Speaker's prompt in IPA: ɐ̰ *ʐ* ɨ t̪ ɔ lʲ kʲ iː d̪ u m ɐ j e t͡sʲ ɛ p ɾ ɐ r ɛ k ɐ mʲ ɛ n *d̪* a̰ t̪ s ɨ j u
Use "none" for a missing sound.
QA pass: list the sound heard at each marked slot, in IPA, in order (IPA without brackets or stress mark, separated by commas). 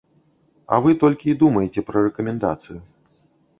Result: v, d̪